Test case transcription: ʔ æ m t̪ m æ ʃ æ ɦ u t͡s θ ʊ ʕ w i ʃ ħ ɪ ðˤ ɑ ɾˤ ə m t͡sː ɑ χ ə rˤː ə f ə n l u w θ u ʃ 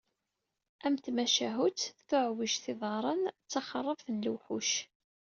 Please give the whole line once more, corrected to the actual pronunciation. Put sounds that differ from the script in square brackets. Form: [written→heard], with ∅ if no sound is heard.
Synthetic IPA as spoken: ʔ æ m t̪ m æ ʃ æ ɦ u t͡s θ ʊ ʕ w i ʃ [ħ→θ] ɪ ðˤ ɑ ɾˤ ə [m→n] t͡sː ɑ χ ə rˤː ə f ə n l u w [θ→ħ] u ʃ